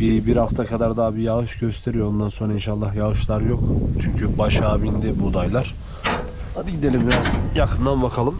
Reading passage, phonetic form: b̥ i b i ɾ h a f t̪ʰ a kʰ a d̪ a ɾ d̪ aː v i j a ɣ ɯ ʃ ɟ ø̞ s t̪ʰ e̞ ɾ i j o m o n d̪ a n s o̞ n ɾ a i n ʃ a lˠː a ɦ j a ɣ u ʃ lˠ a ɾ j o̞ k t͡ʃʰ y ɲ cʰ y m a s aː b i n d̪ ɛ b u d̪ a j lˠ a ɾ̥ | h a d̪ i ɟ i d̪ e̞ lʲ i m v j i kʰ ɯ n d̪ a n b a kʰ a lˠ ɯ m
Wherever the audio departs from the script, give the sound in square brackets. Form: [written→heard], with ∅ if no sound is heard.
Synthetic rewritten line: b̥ i b i ɾ h a f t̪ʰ a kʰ a d̪ a ɾ d̪ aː [v→b] i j a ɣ ɯ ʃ ɟ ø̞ s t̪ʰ e̞ ɾ i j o [m→∅] o n d̪ a n s o̞ n ɾ a i n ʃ a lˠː a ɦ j a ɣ [u→ɯ] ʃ lˠ a ɾ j o̞ k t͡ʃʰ y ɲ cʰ y [m→b] a [s→ʃ] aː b i n d̪ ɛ b u d̪ a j lˠ a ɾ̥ | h a d̪ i ɟ i d̪ e̞ lʲ i m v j [i→a] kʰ ɯ n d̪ a n b a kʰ a lˠ ɯ m